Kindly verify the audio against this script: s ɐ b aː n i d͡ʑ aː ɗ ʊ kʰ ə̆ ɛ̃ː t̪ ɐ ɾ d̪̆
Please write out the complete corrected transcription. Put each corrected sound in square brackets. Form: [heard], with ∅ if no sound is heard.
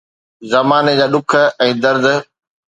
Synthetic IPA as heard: [z] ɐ [m] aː n [e] d͡ʑ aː ɗ ʊ kʰ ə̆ ɛ̃ː [d̪] ɐ ɾ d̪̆